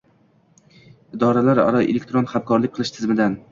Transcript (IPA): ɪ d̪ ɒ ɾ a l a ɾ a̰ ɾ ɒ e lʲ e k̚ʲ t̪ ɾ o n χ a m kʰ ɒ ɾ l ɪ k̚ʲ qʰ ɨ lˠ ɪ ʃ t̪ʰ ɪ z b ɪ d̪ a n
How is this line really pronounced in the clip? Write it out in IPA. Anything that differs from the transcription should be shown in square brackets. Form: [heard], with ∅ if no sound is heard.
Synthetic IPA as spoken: ɪ d̪ ɒ ɾ a l a ɾ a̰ ɾ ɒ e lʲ e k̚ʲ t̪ ɾ o n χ a m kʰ ɒ ɾ l ɪ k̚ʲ qʰ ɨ lˠ ɪ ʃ t̪ʰ ɪ z [m] ɪ d̪ a n